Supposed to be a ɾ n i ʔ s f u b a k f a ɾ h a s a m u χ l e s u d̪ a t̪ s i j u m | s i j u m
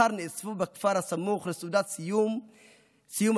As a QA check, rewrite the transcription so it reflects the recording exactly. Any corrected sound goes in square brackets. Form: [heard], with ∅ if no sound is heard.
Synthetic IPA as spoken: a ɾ n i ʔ s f u b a k f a ɾ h a s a m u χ l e s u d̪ a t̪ s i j u m | s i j u m